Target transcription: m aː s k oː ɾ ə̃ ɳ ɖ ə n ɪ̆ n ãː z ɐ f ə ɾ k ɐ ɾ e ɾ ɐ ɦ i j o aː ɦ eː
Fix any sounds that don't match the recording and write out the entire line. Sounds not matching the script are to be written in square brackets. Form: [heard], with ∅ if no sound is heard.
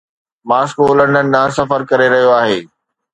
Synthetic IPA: m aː s k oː [l] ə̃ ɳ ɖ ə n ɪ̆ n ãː [s] ɐ f ə ɾ k ɐ ɾ e ɾ ɐ ɦ i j o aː ɦ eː